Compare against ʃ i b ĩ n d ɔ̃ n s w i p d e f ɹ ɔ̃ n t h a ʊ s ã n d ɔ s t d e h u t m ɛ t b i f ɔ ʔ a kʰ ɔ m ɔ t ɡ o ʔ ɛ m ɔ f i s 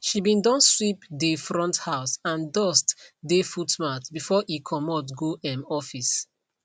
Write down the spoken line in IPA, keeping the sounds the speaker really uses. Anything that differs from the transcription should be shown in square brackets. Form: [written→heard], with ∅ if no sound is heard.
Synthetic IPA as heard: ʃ i b ĩ n d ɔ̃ n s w i p d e f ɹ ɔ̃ n t h a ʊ s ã n d ɔ s t d e [h→f] u t m [ɛ→a] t b i f ɔ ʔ [a→i] kʰ ɔ m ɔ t ɡ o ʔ ɛ m ɔ f i s

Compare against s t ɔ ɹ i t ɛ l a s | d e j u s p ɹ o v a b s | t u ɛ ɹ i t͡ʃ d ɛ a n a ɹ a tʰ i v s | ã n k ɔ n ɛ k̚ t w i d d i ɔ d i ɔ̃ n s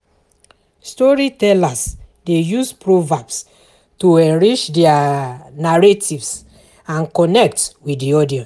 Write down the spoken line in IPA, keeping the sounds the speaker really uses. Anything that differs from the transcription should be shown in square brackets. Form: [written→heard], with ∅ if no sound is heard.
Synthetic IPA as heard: s t ɔ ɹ i t ɛ l a s | d e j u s p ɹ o v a b s | t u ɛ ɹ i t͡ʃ d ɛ a n a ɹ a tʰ i v s | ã n k ɔ n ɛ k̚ t w i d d i ɔ d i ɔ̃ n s

